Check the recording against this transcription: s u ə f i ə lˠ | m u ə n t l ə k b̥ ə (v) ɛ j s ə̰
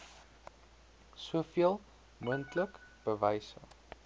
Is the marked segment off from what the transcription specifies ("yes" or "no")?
no